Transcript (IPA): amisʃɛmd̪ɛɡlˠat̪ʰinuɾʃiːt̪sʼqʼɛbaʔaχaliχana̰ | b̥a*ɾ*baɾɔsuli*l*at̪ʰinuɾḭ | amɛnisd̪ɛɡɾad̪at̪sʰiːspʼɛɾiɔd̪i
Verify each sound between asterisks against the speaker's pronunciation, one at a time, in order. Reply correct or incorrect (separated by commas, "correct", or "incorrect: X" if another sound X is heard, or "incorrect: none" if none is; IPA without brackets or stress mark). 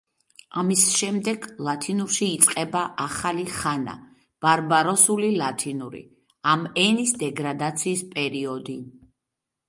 correct, correct